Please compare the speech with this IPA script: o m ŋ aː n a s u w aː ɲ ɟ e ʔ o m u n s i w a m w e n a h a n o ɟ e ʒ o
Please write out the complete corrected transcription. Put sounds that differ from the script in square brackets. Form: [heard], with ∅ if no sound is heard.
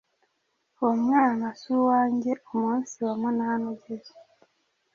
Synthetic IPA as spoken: o m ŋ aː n a s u w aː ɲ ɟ e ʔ o m u n s i w a m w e n a h a n o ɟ e [z] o